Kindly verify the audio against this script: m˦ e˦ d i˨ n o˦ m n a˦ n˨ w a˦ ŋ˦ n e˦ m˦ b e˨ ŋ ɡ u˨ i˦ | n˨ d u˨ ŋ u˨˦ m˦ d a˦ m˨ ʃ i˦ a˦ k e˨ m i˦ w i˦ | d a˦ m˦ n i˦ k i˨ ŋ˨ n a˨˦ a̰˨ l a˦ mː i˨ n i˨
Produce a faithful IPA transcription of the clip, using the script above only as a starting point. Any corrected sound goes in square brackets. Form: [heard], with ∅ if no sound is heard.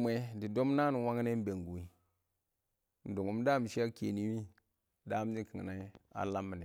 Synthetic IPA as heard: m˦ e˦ d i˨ [d] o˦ m n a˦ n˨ w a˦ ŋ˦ n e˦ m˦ b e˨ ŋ ɡ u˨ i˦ | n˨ d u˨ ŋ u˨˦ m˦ d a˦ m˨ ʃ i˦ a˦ k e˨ [n] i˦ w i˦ | d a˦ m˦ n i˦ k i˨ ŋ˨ n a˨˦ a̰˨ l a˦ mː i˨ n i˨